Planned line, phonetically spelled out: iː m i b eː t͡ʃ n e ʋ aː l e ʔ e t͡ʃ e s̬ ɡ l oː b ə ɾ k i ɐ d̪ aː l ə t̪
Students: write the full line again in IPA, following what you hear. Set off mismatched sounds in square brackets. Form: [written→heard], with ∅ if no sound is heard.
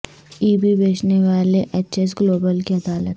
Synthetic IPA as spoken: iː [m→b] i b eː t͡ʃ n e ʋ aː l e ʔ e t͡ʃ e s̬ ɡ l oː b ə [ɾ→l] k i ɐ d̪ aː l ə t̪